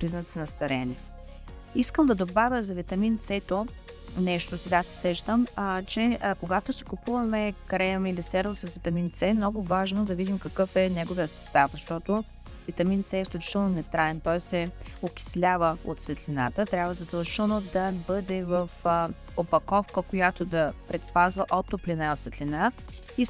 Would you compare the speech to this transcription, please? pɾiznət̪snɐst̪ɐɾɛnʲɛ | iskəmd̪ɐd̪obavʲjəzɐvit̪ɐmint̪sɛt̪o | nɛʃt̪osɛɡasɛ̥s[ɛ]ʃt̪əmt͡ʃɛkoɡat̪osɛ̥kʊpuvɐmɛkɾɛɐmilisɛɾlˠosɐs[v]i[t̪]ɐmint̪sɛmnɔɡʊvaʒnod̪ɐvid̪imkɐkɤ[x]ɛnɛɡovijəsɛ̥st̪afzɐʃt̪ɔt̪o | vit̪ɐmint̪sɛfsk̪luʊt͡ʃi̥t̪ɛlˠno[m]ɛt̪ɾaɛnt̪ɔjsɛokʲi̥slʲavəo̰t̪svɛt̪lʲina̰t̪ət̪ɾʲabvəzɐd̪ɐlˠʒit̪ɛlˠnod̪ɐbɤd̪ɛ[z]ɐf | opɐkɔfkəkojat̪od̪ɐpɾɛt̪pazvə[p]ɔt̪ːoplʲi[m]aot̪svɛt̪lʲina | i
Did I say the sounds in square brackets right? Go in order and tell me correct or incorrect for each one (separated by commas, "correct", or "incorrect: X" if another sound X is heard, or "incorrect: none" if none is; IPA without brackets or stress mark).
correct, correct, correct, incorrect: f, incorrect: n, incorrect: v, incorrect: ʔ, incorrect: n